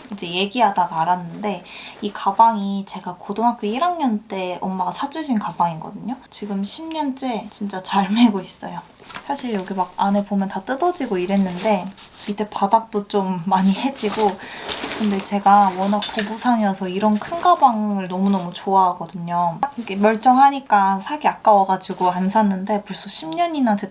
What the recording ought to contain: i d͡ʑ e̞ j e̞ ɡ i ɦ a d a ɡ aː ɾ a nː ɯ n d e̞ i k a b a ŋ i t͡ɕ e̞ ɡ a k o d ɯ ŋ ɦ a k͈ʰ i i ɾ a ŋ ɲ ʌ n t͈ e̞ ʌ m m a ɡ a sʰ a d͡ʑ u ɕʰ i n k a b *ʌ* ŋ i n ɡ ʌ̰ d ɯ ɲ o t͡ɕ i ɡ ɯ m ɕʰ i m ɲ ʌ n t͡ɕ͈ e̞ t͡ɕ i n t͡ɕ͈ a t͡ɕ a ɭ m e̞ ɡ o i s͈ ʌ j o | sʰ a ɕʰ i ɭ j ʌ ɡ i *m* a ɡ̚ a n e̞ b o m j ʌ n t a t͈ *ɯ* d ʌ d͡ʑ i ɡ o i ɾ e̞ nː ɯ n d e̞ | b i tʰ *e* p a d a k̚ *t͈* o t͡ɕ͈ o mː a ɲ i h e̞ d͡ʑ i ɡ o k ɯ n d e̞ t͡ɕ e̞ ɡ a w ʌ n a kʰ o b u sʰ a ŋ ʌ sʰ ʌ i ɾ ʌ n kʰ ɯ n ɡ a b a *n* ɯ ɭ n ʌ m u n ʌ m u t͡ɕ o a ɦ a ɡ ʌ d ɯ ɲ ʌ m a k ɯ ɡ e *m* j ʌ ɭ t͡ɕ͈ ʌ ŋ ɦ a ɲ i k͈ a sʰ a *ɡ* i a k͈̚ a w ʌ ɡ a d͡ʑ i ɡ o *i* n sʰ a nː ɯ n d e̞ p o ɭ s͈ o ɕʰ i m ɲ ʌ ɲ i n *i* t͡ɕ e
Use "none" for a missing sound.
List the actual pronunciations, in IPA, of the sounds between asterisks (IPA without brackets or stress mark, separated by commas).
a, m, ɯ, e, t͈, ŋ, m, ɡ, a, a